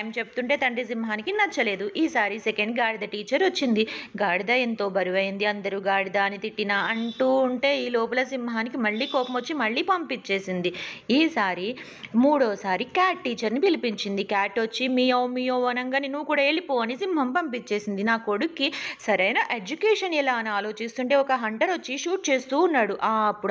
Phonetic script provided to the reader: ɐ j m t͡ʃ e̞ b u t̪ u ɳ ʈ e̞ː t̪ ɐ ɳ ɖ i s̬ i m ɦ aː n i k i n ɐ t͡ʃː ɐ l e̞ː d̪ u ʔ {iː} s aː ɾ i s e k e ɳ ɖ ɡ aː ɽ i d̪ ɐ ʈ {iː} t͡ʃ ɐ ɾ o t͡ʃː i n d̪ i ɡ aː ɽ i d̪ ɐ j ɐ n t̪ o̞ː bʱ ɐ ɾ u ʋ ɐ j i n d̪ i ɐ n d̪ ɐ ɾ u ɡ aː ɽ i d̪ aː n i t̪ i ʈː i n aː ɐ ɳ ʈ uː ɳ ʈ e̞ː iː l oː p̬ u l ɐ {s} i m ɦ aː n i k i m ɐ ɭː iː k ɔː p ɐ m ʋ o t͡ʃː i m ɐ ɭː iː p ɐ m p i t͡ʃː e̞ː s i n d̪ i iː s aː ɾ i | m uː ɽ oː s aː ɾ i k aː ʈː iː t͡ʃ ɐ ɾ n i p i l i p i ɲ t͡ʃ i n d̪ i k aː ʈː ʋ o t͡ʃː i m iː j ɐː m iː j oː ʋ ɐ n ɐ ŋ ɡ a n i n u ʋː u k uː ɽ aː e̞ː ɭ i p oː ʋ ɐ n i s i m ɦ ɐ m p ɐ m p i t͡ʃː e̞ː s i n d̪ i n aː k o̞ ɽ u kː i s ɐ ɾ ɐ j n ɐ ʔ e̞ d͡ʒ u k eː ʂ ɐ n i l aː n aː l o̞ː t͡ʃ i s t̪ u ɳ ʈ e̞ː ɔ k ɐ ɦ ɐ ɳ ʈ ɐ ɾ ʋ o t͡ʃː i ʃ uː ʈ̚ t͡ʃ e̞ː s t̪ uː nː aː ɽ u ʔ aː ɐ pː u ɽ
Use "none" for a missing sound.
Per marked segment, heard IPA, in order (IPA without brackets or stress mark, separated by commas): iː, iː, s